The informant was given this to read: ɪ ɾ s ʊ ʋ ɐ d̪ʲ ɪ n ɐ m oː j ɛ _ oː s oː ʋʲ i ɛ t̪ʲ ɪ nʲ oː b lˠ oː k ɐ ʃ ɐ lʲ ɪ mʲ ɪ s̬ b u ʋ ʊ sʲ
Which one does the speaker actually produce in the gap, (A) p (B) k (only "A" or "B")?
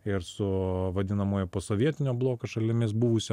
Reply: A